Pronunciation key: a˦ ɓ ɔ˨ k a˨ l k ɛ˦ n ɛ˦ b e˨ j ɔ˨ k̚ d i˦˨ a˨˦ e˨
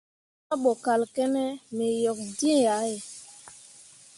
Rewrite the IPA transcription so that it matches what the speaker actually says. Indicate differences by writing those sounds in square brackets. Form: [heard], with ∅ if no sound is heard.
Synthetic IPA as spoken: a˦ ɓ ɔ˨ k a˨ l k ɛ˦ n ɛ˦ [m] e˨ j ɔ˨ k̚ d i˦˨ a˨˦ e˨